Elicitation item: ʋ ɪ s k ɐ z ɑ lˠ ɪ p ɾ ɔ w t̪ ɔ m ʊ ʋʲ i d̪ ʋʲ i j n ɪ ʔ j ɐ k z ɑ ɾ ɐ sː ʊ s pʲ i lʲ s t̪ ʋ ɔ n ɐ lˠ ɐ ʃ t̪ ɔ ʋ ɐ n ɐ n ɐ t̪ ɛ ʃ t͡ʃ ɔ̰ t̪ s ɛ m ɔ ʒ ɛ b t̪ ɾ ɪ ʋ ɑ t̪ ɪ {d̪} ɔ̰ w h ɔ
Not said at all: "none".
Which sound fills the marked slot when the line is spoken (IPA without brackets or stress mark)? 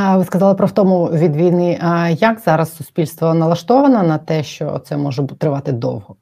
d̪